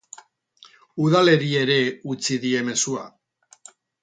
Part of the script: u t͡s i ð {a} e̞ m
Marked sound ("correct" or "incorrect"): incorrect